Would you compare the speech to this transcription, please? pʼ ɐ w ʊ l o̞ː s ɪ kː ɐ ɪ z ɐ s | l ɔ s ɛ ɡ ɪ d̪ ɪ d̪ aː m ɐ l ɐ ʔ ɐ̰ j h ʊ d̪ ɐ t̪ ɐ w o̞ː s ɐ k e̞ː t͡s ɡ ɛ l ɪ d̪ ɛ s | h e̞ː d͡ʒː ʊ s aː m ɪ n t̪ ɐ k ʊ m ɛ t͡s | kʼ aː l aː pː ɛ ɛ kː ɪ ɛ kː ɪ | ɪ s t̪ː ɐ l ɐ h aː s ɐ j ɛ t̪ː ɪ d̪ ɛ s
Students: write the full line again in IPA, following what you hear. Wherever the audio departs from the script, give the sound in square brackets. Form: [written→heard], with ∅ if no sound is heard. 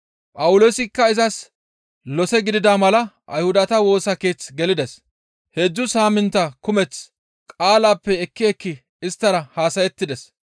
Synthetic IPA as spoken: pʼ ɐ w ʊ l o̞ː s ɪ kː ɐ ɪ z ɐ s | l ɔ s ɛ ɡ ɪ d̪ ɪ d̪ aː m ɐ l ɐ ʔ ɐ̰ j h ʊ d̪ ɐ t̪ ɐ w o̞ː s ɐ k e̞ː t͡s ɡ ɛ l ɪ d̪ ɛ s | h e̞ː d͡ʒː ʊ s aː m ɪ n t̪ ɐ k ʊ m ɛ t͡s | kʼ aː l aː pː ɛ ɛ kː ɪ ɛ kː ɪ | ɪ s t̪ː ɐ [l→ɾ] ɐ h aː s ɐ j ɛ t̪ː ɪ d̪ ɛ s